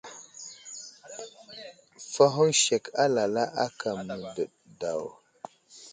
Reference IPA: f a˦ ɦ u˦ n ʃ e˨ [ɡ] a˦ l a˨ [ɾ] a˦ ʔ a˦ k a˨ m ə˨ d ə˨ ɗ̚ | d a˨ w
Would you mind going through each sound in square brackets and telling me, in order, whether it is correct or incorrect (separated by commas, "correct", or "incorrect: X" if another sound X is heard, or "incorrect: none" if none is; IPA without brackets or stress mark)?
incorrect: k, incorrect: l